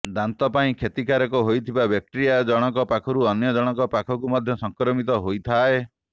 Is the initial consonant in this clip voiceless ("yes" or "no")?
no